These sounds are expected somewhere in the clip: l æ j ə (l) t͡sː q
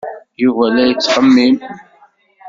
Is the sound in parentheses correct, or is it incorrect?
incorrect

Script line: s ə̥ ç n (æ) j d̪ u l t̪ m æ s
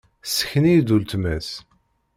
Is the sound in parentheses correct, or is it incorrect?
incorrect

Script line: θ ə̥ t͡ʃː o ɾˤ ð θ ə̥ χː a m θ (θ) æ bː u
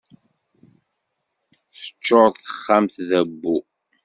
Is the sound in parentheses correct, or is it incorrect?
incorrect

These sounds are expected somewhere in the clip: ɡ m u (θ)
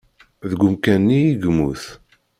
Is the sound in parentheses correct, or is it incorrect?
correct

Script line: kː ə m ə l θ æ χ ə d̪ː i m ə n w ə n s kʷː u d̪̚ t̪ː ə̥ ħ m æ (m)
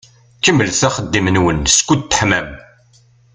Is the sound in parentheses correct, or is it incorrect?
correct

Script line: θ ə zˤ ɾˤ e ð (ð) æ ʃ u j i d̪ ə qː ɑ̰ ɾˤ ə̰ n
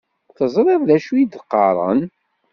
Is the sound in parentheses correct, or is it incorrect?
correct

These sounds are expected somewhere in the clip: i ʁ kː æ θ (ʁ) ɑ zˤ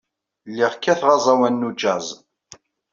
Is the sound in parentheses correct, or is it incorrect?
correct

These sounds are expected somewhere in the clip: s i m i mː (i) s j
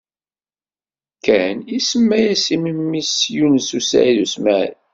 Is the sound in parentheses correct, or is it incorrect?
correct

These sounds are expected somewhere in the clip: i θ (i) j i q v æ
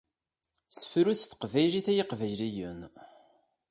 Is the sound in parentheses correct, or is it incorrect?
incorrect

